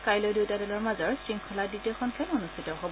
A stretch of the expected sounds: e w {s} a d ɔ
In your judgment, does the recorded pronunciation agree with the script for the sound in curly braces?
no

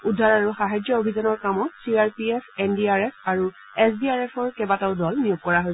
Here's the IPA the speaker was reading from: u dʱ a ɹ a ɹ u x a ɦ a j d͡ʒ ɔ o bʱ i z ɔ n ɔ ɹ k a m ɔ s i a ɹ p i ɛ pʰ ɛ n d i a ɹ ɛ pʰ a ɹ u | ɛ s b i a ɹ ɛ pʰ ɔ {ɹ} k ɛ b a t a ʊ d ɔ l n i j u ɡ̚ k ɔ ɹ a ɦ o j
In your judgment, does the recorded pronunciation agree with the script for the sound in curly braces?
yes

